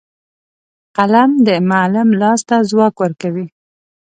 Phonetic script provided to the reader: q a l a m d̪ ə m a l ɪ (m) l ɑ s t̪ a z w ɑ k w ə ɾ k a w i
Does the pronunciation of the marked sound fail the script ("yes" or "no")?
no